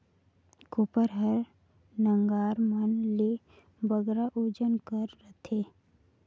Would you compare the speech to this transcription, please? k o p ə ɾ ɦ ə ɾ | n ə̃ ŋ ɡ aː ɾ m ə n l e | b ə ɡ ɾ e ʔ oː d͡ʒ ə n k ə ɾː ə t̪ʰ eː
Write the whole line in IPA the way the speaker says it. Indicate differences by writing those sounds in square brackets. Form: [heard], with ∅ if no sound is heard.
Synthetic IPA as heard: k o p ə ɾ ɦ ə ɾ | n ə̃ ŋ ɡ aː ɾ m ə n l e | b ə ɡ ɾ [a] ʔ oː d͡ʒ ə n k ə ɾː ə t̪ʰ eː